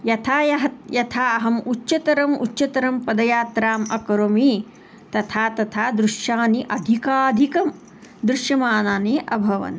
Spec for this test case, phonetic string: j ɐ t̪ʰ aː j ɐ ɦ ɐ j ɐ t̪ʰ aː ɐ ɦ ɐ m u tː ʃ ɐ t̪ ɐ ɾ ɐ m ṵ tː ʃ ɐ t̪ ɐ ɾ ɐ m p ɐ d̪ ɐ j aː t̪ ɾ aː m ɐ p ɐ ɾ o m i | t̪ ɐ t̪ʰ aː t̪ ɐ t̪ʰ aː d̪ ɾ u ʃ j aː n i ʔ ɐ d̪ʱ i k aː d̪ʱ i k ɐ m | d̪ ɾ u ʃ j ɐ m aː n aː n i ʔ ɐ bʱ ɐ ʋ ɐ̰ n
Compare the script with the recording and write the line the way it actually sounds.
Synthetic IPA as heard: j ɐ t̪ʰ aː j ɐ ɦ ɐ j ɐ t̪ʰ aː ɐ ɦ ɐ m u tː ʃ ɐ t̪ ɐ ɾ ɐ m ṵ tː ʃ ɐ t̪ ɐ ɾ ɐ m p ɐ d̪ ɐ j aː t̪ ɾ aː m ɐ k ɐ ɾ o m i | t̪ ɐ t̪ʰ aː t̪ ɐ t̪ʰ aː d̪ ɾ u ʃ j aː n i ʔ ɐ d̪ʱ i k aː d̪ʱ i k ɐ m | d̪ ɾ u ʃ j ɐ m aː n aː n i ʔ ɐ bʱ ɐ ʋ ɐ̰ n